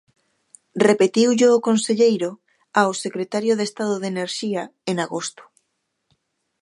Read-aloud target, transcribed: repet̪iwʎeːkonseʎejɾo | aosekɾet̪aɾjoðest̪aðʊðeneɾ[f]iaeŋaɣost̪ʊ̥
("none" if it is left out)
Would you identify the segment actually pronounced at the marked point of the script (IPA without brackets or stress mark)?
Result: ʃ